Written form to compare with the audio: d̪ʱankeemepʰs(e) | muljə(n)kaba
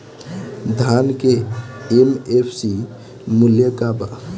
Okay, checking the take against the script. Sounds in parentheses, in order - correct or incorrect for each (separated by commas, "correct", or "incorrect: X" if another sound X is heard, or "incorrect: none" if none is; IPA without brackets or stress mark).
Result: incorrect: i, incorrect: none